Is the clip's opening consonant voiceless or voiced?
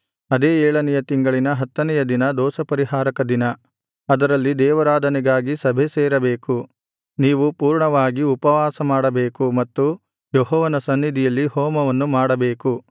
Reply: voiced